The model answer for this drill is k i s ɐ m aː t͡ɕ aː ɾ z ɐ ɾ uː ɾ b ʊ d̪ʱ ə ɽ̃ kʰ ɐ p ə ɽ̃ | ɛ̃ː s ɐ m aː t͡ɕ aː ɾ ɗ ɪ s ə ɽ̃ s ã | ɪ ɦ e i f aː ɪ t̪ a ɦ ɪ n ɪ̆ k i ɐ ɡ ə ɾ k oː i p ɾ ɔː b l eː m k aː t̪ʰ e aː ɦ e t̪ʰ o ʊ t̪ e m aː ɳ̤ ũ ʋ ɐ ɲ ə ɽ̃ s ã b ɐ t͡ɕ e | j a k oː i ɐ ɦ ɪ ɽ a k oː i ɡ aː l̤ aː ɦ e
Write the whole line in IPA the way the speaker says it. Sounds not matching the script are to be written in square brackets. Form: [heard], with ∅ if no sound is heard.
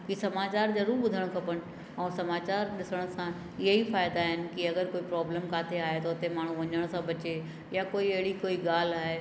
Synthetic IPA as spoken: k i s ɐ m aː t͡ɕ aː ɾ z ɐ ɾ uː ɾ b ʊ d̪ʱ ə ɽ̃ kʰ ɐ p ə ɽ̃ | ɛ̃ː s ɐ m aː t͡ɕ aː ɾ ɗ ɪ s ə ɽ̃ s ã | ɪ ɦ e i f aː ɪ [d̪] a ɦ ɪ n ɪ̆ k i ɐ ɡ ə ɾ k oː i p ɾ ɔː b l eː m k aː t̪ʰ e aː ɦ e [t̪] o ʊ t̪ e m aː ɳ̤ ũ ʋ ɐ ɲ ə ɽ̃ s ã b ɐ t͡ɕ e | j a k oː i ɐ ɦ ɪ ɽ [i] k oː i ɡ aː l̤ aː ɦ e

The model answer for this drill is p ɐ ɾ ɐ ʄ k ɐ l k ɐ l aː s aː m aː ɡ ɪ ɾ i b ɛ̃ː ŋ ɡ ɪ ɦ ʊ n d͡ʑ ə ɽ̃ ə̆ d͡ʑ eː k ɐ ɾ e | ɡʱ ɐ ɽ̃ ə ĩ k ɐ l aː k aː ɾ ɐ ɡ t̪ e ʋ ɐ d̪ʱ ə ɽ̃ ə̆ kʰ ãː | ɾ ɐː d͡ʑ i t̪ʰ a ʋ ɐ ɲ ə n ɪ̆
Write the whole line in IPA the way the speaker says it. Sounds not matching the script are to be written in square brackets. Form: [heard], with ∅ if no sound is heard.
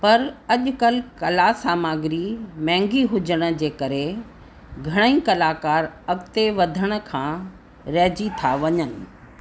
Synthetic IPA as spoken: p ɐ ɾ ɐ ʄ k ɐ l k ɐ l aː s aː m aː ɡ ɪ ɾ i [m] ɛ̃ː ŋ ɡ [i] ɦ ʊ [∅] d͡ʑ ə ɽ̃ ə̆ d͡ʑ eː k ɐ ɾ e | ɡʱ ɐ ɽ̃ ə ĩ k ɐ l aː k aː ɾ ɐ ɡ t̪ e ʋ ɐ d̪ʱ ə ɽ̃ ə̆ kʰ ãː | ɾ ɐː d͡ʑ i t̪ʰ a ʋ ɐ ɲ ə n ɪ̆

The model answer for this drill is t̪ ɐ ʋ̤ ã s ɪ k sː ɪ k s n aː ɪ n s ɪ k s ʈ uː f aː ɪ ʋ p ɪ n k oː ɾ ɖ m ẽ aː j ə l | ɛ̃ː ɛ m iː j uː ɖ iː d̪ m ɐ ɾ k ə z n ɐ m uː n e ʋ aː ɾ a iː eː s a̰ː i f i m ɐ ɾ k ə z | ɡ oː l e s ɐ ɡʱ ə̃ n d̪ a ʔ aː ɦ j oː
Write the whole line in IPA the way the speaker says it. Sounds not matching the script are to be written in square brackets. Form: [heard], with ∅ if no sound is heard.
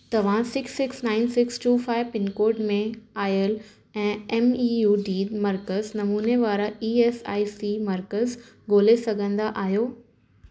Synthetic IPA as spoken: t̪ ɐ ʋ̤ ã s ɪ k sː ɪ k s n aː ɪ n s ɪ k s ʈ uː f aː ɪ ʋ p ɪ n k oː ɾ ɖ m ẽ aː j ə l | ɛ̃ː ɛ m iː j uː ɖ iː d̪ m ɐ ɾ k ə z n ɐ m uː n e ʋ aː ɾ a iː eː s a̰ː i [s] i m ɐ ɾ k ə z | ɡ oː l e s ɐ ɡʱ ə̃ n d̪ a ʔ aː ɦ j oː

